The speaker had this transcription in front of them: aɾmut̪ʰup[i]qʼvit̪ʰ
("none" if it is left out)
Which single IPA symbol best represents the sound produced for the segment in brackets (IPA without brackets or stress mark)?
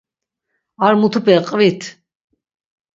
ɛ